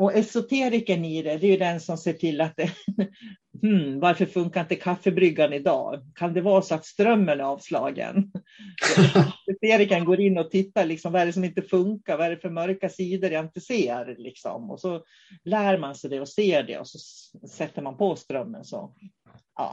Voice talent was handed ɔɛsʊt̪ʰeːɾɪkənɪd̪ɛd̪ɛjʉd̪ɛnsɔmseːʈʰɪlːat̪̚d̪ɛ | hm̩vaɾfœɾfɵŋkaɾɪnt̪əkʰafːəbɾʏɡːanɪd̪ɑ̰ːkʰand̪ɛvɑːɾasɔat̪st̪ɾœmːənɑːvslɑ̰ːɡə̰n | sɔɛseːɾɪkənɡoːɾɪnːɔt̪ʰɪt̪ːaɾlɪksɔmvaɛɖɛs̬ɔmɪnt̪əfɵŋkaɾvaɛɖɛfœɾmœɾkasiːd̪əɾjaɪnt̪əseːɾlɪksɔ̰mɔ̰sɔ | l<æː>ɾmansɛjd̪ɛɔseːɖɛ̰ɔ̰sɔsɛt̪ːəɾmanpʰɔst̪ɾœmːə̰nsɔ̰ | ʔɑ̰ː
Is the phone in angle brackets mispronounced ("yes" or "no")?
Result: no